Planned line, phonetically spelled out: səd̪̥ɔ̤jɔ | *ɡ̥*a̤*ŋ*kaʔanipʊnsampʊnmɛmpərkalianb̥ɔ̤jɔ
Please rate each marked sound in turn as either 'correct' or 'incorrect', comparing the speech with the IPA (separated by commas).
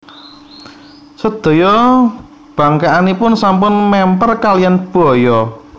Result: incorrect, correct